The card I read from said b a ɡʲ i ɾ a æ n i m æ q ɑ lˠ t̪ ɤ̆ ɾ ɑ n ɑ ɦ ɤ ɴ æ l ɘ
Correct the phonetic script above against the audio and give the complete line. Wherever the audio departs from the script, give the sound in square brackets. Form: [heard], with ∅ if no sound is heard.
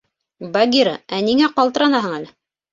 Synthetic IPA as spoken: b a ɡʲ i ɾ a æ n i [ŋ] æ q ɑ lˠ t̪ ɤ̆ ɾ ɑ n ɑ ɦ ɤ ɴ æ l ɘ